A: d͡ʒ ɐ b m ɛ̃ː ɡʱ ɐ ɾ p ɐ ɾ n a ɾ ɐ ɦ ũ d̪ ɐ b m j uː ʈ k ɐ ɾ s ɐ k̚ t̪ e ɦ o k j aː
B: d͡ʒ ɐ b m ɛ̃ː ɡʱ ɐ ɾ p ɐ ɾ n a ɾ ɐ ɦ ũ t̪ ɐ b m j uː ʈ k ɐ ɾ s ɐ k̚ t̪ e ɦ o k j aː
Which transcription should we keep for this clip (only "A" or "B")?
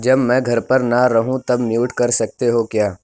B